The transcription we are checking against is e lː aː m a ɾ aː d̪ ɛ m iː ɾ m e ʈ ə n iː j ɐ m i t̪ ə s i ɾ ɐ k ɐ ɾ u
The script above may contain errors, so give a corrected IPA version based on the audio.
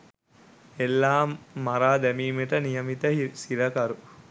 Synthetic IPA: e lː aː m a ɾ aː d̪ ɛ m iː m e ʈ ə n i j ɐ m i t̪ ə s i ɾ ɐ k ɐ ɾ u